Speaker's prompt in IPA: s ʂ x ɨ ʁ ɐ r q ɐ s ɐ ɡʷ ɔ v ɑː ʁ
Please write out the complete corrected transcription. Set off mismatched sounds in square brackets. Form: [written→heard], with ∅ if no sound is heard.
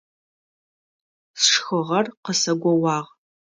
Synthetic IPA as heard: s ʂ x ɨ ʁ ɐ r q [ɐ→ə] s ɐ ɡʷ ɔ [v→w] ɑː ʁ